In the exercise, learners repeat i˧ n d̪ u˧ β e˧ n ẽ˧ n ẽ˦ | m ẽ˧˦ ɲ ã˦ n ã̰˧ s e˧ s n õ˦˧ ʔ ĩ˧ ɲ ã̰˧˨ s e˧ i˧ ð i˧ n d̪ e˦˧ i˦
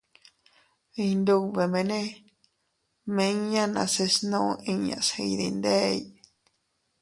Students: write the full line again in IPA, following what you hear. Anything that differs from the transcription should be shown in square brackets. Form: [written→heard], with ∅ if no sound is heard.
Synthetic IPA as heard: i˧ n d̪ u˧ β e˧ [n→m] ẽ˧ n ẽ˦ | m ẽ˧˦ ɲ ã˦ n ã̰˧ s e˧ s n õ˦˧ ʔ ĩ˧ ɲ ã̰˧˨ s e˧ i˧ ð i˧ n d̪ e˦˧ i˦

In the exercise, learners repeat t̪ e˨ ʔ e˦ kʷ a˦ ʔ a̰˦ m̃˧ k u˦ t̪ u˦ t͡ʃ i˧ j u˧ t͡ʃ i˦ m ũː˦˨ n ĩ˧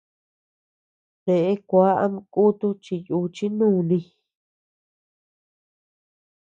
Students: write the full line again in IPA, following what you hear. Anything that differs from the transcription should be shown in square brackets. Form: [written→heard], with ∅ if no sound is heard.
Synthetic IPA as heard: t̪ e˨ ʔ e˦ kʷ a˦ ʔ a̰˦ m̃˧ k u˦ t̪ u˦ t͡ʃ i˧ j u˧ t͡ʃ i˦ [m→n] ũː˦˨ n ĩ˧

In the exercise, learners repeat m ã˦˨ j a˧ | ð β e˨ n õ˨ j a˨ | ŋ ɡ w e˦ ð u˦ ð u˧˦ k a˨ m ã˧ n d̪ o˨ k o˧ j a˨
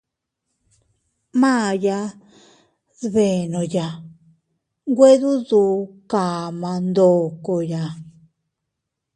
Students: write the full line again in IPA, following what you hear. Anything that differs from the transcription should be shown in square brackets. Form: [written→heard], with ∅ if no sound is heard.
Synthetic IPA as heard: m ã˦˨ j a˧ | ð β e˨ n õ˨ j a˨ | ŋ ɡ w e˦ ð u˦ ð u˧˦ k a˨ m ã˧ n d̪ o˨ k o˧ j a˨

